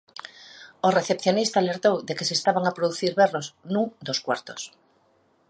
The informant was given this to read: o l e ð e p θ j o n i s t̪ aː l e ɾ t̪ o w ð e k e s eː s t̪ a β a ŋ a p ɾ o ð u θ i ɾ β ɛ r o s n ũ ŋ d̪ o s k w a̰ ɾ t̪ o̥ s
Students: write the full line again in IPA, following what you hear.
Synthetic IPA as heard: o r e θ e p θ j o n i s t̪ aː l e ɾ t̪ o w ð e k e s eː s t̪ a β a ŋ a p ɾ o ð u θ i ɾ β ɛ r o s n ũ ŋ d̪ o s k w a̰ ɾ t̪ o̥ s